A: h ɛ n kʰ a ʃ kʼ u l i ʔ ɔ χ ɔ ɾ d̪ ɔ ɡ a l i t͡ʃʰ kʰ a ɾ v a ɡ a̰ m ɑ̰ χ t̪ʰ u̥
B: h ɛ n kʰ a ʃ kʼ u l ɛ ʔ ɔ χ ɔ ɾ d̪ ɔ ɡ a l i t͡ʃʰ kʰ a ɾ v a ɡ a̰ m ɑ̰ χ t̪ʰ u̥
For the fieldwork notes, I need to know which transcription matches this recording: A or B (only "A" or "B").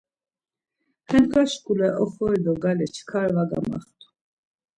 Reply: B